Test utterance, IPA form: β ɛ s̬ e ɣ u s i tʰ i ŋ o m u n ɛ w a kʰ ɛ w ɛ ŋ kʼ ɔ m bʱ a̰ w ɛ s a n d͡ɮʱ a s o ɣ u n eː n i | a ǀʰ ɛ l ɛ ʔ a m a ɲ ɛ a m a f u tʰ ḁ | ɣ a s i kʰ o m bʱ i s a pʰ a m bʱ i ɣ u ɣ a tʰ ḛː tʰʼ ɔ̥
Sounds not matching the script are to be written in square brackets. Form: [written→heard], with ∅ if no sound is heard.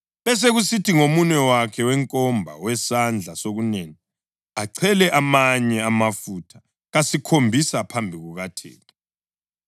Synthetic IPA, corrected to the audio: β ɛ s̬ e ɣ u s i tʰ i ŋ o m u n ɛ w a kʰ ɛ w ɛ ŋ kʼ ɔ m bʱ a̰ w ɛ s a n d͡ɮʱ a s o ɣ u n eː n i | a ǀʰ ɛ l ɛ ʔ a m a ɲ ɛ a m a f u tʰ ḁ | ɣ a s i kʰ o m bʱ i s a pʰ a m bʱ i ɣ u ɣ a tʰ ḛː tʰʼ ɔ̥

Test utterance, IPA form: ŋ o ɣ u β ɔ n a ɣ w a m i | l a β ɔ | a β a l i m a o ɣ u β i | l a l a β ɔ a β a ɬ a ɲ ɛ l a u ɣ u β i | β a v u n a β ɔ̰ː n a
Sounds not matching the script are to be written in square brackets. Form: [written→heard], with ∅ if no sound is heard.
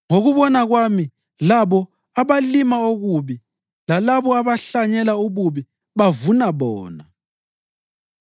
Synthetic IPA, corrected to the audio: ŋ o ɣ u β ɔ n a ɣ w a m i | l a β ɔ | a β a l i m a o ɣ u β i | l a l a β ɔ a β a ɬ a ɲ ɛ l a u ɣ u β i | β a v u n a β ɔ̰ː n a

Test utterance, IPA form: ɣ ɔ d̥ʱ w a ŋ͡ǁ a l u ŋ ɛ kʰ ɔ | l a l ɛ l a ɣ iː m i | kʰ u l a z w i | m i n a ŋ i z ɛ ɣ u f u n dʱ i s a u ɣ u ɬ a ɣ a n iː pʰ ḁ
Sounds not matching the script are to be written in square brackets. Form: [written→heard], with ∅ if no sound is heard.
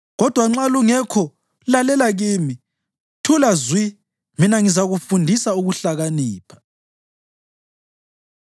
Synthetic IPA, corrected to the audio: ɣ ɔ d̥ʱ w a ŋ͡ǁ a l u ŋ ɛ kʰ ɔ | l a l ɛ l a ɣ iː m i | [kʰ→tʰ] u l a z w i | m i n a ŋ i z [ɛ→a] ɣ u f u n dʱ i s a u ɣ u ɬ a ɣ a n iː pʰ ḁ

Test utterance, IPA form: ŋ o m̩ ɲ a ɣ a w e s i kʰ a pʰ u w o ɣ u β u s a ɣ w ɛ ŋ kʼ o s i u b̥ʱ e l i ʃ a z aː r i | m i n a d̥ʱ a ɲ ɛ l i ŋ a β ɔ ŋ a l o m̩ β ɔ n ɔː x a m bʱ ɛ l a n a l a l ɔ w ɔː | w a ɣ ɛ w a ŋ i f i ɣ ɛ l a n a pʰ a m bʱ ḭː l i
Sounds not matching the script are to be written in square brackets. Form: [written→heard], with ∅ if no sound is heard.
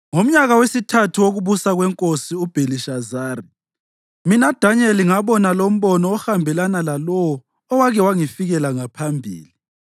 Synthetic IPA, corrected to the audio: ŋ o m̩ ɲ a ɣ a w e s i [kʰ→tʰ] a [pʰ→tʰ] u w o ɣ u β u s a ɣ w ɛ ŋ kʼ o s i u b̥ʱ e l i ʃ a z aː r i | m i n a d̥ʱ a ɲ ɛ l i ŋ a β ɔ [ŋ→n] a l o m̩ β ɔ n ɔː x a m bʱ ɛ l a n a l a l ɔ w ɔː | w a ɣ ɛ w a ŋ i f i ɣ ɛ l a [n→ŋ] a pʰ a m bʱ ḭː l i

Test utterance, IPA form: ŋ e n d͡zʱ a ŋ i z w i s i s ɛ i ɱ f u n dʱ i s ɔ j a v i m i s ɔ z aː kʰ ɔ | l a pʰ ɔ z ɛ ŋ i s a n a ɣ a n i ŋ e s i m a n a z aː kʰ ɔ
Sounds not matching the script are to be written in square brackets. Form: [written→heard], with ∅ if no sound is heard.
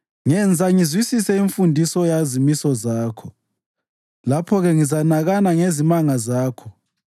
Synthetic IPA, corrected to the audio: ŋ [e→ɛ] n d͡zʱ a ŋ i z w i s i s ɛ i ɱ f u n dʱ i s ɔ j a [v→z] i m i s ɔ z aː kʰ ɔ | l a pʰ ɔ [z→ɣ] ɛ ŋ i [s→z] a n a ɣ a n [i→a] ŋ e [s→z] i m a [n→ŋ] a z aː kʰ ɔ

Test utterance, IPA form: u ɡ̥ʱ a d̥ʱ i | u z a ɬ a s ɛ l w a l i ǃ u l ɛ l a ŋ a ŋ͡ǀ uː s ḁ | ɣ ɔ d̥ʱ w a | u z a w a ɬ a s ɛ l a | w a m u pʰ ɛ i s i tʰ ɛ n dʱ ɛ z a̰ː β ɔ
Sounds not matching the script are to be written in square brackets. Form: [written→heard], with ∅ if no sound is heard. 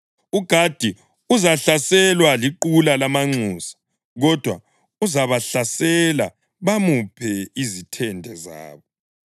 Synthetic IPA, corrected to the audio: u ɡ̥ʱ a d̥ʱ i | u z a ɬ a s ɛ l w a l i ǃ u l [ɛ→a] l a [ŋ→m] a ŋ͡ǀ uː s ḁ | ɣ ɔ d̥ʱ w a | u z a [w→β] a ɬ a s ɛ l a | [w→β] a m u pʰ ɛ i [s→z] i tʰ ɛ n dʱ ɛ z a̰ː β ɔ

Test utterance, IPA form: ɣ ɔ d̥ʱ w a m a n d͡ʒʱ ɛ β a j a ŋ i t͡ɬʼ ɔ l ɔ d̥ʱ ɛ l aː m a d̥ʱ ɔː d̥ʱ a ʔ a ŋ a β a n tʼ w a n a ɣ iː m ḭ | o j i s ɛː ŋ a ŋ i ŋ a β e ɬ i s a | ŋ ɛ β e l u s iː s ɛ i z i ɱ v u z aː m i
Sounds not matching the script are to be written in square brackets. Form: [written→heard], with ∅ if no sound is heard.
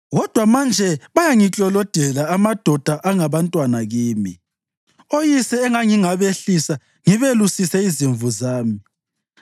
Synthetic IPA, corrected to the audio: ɣ ɔ d̥ʱ w a m a n d͡ʒʱ ɛ β a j a ŋ i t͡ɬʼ ɔ l ɔ d̥ʱ ɛ l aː m a d̥ʱ [ɔː→ɔ] d̥ʱ a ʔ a ŋ a β a n tʼ w a n a ɣ iː m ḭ | o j i s ɛː ŋ a ŋ i ŋ a β e ɬ i s a | ŋ [ɛ→i] β e l u s [iː→i] s ɛ i z i ɱ v u z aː m i

